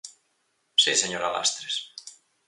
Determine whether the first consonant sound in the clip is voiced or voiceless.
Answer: voiceless